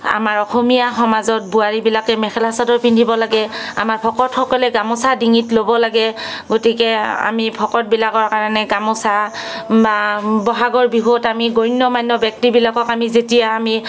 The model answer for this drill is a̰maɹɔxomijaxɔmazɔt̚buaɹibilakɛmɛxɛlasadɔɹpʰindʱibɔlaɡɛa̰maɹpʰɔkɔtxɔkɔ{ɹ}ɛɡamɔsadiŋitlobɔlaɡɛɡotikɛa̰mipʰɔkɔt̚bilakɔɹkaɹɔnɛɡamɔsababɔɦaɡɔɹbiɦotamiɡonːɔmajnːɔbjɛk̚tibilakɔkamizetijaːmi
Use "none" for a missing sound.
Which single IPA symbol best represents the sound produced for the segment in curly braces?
l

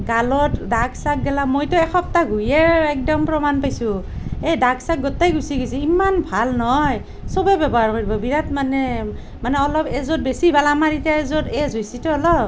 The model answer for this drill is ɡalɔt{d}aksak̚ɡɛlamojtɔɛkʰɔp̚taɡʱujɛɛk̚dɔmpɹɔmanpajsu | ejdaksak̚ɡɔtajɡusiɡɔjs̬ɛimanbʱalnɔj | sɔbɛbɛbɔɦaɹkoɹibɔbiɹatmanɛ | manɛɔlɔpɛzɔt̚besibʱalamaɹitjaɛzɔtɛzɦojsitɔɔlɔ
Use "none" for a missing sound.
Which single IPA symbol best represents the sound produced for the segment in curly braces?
d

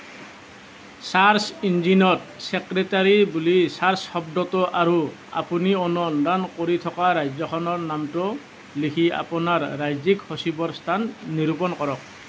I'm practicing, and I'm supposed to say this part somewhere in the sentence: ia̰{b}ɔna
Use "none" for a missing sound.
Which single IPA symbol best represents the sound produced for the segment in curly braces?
p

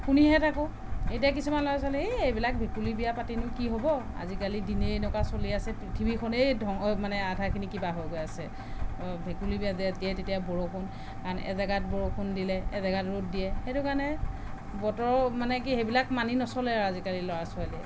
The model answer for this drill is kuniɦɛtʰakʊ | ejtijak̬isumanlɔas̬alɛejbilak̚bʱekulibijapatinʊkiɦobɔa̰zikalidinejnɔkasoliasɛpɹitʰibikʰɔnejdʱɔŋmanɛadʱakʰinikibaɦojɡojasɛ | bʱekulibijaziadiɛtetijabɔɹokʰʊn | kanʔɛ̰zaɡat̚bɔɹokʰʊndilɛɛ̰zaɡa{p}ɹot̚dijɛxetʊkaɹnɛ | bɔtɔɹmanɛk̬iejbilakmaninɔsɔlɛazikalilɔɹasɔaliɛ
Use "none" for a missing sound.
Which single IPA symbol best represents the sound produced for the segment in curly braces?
t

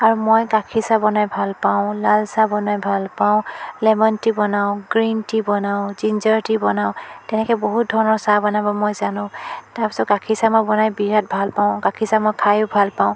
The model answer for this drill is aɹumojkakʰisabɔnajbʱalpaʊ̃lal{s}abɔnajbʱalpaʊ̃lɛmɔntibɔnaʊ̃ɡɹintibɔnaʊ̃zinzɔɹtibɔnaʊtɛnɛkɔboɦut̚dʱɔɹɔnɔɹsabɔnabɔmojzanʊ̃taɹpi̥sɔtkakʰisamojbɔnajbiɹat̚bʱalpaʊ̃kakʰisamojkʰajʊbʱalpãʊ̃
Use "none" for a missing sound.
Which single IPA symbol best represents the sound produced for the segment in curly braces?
s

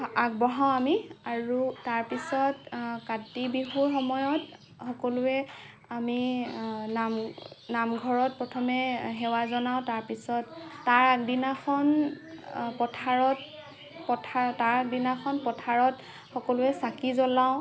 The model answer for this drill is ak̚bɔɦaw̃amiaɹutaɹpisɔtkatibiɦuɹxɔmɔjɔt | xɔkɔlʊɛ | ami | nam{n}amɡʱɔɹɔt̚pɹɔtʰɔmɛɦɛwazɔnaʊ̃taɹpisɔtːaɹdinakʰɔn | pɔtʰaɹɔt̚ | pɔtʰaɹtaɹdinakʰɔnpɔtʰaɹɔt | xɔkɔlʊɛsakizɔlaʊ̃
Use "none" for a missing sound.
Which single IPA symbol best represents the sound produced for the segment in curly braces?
n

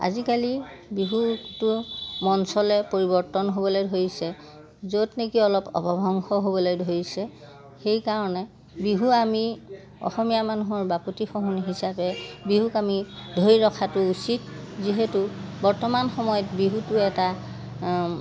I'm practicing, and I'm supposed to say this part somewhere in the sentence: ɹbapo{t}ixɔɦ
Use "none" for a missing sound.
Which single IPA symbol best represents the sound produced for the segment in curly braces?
t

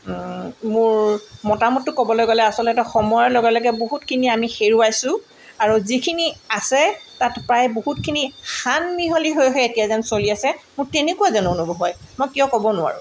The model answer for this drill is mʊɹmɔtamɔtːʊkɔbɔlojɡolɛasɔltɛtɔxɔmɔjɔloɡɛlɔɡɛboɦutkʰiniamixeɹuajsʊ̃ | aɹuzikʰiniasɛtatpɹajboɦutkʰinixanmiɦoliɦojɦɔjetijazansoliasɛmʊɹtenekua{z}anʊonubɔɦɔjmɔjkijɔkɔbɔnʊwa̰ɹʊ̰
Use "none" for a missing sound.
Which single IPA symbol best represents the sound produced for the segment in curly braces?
z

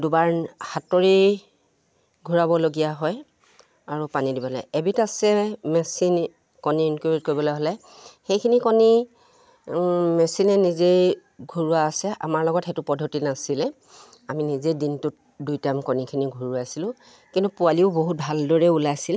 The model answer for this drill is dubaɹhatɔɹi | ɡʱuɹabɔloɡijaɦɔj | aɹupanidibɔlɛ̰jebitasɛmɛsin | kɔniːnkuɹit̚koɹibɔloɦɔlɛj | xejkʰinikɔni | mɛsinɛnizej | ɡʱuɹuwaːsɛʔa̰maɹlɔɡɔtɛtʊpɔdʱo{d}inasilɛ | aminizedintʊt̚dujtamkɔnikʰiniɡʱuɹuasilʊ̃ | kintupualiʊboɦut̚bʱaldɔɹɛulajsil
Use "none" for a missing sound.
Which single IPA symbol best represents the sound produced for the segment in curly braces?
t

